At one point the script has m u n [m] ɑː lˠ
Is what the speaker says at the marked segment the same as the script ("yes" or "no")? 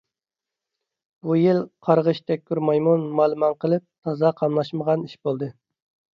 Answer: yes